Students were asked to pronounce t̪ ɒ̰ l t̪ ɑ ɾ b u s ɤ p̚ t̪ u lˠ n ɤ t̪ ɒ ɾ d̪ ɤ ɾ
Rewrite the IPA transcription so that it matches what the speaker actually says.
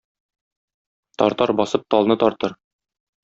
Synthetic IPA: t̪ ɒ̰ ɾ t̪ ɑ ɾ b ɒ s ɤ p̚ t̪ ɒ lˠ n ɤ t̪ ɒ ɾ t̪ ɤ ɾ